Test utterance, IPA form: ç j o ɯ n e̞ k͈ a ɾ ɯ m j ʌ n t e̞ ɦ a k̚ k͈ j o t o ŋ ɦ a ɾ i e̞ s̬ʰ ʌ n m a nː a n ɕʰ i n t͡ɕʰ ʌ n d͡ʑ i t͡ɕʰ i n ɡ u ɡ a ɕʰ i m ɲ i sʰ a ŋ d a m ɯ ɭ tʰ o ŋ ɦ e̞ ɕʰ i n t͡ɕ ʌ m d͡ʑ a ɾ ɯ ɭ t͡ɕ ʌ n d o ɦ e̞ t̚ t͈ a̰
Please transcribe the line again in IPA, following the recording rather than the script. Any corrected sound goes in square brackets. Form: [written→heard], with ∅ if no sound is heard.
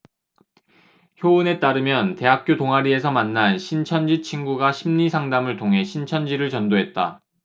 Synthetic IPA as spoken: ç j o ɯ n e̞ [k͈→t͈] a ɾ ɯ m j ʌ n t e̞ ɦ a k̚ k͈ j o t o ŋ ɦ a ɾ i e̞ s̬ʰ ʌ [n→∅] m a nː a n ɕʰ i n t͡ɕʰ ʌ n d͡ʑ i t͡ɕʰ i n ɡ u ɡ a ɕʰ i m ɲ i sʰ a ŋ d a m ɯ ɭ tʰ o ŋ ɦ e̞ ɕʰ i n [t͡ɕ→t͡ɕʰ] ʌ [m→n] d͡ʑ [a→i] ɾ ɯ ɭ t͡ɕ ʌ n d o ɦ e̞ t̚ t͈ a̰